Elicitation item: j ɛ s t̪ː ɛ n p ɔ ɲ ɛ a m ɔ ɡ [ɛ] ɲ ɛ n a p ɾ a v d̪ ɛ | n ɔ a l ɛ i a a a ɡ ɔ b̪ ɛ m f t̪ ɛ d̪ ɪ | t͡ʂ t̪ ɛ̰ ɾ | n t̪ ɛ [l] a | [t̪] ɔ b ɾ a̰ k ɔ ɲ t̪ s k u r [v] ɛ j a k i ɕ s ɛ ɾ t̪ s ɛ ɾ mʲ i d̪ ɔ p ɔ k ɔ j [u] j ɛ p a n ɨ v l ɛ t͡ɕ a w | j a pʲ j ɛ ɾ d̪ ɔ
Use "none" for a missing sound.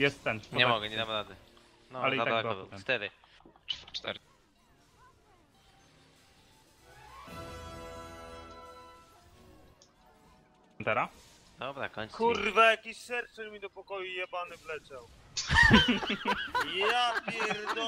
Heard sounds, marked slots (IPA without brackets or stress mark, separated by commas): ɛ, ɾ, d̪, v, u